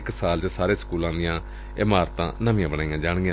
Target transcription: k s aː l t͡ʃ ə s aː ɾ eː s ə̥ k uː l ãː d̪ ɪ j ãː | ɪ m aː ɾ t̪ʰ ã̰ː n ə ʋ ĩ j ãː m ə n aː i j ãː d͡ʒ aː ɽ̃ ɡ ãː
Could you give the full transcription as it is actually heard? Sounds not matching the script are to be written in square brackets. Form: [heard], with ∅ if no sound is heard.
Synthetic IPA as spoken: k s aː l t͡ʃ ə s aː ɾ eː s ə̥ k uː l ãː d̪ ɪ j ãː | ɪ m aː ɾ [t̪] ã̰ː n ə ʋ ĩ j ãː [b] ə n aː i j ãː d͡ʒ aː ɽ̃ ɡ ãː